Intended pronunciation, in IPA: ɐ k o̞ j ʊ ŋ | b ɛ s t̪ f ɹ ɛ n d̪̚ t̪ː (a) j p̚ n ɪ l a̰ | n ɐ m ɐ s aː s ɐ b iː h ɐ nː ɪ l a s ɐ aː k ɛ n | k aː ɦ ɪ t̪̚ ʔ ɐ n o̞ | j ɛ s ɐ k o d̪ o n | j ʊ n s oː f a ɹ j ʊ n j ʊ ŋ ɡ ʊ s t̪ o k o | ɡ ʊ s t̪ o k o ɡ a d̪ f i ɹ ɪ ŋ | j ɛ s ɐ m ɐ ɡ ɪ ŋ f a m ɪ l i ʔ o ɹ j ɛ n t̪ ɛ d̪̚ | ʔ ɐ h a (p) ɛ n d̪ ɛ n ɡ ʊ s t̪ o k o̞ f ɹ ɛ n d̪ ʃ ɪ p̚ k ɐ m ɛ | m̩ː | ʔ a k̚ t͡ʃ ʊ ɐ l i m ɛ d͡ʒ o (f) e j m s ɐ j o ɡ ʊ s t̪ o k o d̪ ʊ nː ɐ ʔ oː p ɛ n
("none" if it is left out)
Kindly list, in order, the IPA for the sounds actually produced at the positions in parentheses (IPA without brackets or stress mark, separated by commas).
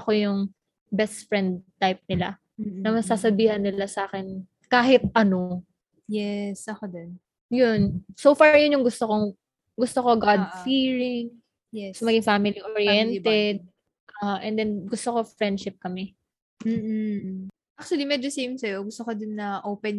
a, ʔ, s